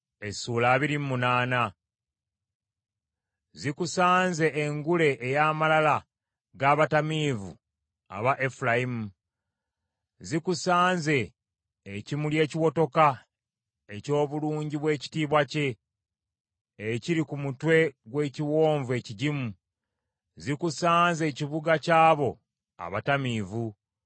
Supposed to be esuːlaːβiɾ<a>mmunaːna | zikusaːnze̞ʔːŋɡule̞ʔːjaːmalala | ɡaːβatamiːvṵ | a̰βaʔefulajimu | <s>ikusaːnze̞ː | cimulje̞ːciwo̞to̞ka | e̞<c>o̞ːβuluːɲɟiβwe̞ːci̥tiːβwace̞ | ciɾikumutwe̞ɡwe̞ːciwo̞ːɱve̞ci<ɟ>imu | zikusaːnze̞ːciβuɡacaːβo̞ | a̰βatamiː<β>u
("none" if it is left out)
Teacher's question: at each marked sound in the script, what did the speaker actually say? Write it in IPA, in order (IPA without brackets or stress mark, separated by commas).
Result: i, z, c, ɟ, v